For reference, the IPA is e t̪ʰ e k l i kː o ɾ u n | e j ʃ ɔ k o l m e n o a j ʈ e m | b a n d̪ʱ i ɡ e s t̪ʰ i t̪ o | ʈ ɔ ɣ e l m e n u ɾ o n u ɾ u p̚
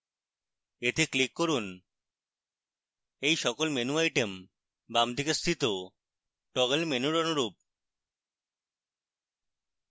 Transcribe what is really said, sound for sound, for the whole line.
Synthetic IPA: e t̪ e k l i kː o ɾ u n | e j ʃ ɔ k o l m e n u a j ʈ e m | b a m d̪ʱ i k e s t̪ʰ i t̪ o | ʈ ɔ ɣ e l m e n u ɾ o n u ɾ u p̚